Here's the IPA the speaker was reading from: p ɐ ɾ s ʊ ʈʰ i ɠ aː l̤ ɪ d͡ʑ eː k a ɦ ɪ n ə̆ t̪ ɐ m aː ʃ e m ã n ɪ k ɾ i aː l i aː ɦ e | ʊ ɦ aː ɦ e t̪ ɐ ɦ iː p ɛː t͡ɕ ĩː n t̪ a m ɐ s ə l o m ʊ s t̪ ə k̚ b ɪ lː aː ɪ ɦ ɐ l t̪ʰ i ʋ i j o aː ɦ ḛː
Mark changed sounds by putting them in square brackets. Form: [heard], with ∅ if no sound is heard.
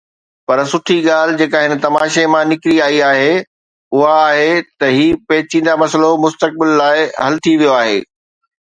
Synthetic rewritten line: p ɐ ɾ s ʊ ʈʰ i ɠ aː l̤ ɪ d͡ʑ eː k a ɦ ɪ n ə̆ t̪ ɐ m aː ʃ e m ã n ɪ k ɾ i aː [∅] i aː ɦ e | ʊ ɦ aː ɦ e t̪ ɐ ɦ iː p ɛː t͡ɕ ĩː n [d̪] a m ɐ s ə l o m ʊ s t̪ ə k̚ b ɪ lː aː ɪ ɦ ɐ l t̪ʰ i ʋ i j o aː ɦ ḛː